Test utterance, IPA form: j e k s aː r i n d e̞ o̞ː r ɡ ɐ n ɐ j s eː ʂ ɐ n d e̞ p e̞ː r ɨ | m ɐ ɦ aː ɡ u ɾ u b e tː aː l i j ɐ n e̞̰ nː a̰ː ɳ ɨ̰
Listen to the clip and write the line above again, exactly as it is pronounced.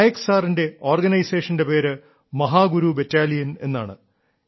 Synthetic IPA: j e k s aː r i n d e̞ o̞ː r ɡ ɐ n ɐ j s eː ʂ ɐ n d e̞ p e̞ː ɾ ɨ | m ɐ ɦ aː ɡ u ɾ u b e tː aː l i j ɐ n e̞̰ nː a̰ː ɳ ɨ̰